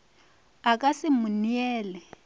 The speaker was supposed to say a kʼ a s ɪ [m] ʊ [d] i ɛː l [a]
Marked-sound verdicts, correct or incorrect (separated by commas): correct, incorrect, incorrect